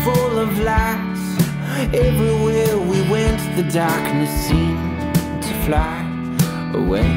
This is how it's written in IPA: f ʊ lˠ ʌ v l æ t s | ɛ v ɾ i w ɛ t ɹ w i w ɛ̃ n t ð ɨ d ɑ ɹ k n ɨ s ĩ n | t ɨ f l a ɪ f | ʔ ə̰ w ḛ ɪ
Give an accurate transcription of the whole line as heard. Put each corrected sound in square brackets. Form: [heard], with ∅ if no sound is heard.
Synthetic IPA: f ʊ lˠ ʌ v l æ [k] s | ɛ v [ɹ] i w ɛ [∅] ɹ w i w ɛ̃ n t ð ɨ d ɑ ɹ k n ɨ s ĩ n | [tʰ] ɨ f l a ɪ [∅] | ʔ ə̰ w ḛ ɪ